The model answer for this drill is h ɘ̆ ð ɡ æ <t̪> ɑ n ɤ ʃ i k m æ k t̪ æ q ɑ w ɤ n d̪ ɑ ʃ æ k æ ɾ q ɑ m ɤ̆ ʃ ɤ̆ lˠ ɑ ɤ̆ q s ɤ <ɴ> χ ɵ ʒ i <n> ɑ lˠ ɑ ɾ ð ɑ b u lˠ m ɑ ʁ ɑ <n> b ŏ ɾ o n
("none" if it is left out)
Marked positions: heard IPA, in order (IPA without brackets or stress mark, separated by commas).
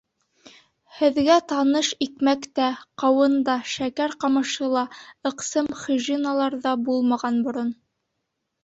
t̪, m, n, n